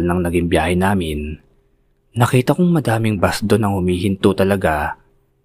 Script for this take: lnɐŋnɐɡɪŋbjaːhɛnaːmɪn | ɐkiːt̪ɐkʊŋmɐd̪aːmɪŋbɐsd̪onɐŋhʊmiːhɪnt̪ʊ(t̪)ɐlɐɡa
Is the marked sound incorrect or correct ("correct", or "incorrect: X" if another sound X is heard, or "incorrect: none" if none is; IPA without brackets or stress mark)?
correct